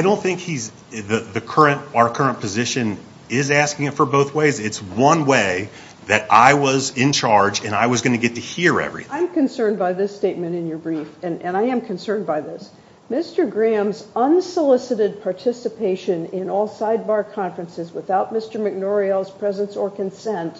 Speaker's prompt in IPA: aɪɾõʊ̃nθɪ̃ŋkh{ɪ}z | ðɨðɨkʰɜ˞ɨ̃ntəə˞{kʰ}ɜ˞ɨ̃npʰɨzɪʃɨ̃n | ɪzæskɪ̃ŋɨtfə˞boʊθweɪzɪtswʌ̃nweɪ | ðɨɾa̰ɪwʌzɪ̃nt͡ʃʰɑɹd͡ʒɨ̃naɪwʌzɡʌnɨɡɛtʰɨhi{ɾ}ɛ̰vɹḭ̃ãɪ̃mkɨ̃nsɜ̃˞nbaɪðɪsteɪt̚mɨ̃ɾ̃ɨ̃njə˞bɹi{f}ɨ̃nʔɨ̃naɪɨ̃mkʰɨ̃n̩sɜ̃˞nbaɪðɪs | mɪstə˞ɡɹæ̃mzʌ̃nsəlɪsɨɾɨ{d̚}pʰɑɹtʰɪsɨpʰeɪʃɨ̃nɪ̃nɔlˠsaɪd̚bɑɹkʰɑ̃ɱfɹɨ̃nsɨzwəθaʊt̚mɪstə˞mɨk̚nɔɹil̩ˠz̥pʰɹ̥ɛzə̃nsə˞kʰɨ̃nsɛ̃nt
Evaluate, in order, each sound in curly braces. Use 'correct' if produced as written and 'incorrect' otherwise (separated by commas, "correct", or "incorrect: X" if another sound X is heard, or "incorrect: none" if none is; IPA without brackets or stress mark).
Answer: incorrect: i, correct, incorrect: ɹ, correct, correct